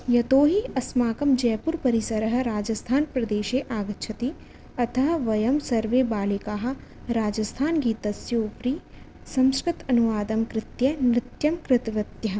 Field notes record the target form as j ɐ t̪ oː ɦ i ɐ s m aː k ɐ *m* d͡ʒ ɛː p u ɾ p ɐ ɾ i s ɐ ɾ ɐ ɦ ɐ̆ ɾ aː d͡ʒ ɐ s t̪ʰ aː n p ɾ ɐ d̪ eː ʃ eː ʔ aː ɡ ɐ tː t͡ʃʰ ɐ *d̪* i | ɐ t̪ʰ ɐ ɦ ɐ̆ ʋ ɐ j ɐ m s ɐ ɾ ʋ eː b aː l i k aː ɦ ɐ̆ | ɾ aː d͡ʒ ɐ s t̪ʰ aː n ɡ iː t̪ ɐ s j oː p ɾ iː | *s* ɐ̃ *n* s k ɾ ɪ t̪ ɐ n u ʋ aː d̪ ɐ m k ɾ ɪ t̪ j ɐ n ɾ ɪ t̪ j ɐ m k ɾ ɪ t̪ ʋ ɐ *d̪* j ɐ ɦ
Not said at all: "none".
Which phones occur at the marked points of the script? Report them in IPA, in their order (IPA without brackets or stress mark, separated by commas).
m, t̪, s, m, t̪